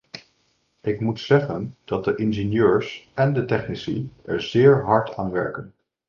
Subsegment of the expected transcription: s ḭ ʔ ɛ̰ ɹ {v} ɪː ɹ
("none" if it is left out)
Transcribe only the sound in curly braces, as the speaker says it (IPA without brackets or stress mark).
z